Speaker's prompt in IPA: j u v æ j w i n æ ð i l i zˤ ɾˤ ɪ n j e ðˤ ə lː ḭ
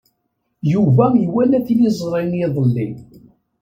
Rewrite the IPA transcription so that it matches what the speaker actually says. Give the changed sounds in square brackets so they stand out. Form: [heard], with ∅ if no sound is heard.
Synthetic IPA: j u v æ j w [æ] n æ [θ] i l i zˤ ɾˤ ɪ n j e ðˤ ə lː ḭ